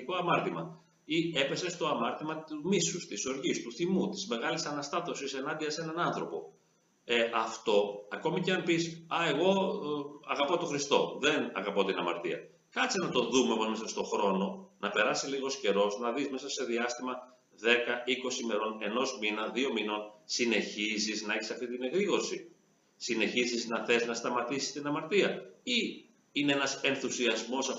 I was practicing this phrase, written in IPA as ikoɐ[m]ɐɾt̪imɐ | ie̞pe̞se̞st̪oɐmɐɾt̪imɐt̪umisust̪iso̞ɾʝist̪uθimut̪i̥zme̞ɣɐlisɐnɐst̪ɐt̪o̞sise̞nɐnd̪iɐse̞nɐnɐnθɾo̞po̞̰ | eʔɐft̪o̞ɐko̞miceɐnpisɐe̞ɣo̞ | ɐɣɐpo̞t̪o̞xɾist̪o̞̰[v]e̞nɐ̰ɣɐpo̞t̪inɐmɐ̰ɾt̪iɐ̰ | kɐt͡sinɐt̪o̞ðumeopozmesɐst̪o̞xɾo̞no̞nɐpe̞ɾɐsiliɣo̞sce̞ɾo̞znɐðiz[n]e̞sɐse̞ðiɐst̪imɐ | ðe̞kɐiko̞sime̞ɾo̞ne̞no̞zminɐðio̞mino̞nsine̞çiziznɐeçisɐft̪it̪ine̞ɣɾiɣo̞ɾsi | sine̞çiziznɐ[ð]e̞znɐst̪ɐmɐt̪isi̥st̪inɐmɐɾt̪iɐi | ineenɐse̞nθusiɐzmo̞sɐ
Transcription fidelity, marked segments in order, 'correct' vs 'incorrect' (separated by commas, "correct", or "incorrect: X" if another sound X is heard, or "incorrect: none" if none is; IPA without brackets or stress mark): correct, incorrect: ð, incorrect: m, incorrect: θ